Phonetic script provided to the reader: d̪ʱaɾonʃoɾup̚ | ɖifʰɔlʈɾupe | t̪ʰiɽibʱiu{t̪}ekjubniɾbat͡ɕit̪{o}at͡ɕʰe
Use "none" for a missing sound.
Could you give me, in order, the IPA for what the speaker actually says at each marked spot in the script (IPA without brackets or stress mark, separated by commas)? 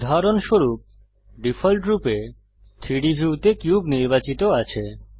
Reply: t̪, o